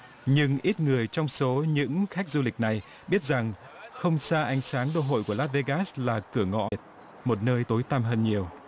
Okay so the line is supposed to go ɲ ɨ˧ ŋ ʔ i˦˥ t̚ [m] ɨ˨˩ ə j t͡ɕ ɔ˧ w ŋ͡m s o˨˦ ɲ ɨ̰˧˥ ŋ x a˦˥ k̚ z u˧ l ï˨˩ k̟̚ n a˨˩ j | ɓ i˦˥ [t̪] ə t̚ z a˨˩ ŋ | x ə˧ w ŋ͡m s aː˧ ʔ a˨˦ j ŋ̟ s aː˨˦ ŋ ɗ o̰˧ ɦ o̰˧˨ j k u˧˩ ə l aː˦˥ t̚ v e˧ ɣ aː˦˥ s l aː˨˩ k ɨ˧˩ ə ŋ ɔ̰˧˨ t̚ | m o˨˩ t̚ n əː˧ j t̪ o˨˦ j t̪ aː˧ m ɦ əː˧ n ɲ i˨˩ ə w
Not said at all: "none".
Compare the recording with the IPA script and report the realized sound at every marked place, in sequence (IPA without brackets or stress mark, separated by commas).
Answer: ŋ, none